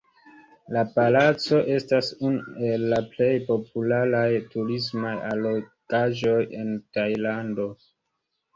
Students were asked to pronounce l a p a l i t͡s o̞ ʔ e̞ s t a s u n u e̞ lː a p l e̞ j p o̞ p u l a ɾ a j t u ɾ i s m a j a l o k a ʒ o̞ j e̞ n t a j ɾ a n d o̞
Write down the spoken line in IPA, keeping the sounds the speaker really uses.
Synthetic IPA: l a p a l a t͡s o̞ ʔ e̞ s t a s u n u e̞ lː a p l e̞ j p o̞ p u l a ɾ a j t u ɾ i s m a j a l o k a ʒ o̞ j e̞ n t a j l a n d o̞